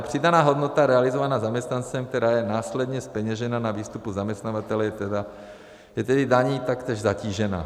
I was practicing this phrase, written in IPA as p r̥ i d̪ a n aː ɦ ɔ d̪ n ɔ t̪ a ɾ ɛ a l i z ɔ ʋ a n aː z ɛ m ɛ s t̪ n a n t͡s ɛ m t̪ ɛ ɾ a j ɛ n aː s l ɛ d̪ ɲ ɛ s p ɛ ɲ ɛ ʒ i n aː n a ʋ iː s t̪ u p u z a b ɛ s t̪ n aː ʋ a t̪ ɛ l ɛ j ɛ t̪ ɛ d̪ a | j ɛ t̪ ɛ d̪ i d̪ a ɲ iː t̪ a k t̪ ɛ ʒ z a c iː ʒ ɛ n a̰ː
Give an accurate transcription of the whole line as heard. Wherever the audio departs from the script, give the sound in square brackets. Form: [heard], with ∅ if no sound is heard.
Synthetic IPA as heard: p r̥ i d̪ a n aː ɦ ɔ d̪ n ɔ t̪ a ɾ ɛ a l i z ɔ ʋ a n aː z [a] m ɛ s t̪ n a n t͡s ɛ m t̪ ɛ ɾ a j ɛ n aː s l ɛ d̪ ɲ ɛ s p ɛ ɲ ɛ ʒ [ɛ] n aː n a ʋ iː s t̪ u p u z a [m] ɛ s t̪ n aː ʋ a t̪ ɛ l ɛ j ɛ t̪ ɛ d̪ a | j ɛ t̪ ɛ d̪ i d̪ a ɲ iː t̪ a k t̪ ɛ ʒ z a c iː ʒ ɛ n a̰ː